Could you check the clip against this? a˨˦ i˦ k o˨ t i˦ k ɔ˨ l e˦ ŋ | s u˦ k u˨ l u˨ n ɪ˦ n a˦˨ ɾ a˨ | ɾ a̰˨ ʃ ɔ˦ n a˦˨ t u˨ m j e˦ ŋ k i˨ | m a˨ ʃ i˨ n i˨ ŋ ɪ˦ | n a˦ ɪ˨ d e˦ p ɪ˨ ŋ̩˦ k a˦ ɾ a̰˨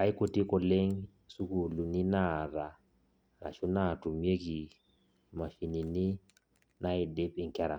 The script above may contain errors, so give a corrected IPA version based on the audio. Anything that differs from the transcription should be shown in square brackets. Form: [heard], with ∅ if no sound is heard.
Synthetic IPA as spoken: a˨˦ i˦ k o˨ t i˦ k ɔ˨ l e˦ ŋ | s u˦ k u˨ l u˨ n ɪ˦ n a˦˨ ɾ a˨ | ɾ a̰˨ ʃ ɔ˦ n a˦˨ t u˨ m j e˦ [∅] k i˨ | m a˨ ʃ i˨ n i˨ [n] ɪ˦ | n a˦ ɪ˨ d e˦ p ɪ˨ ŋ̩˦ k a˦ ɾ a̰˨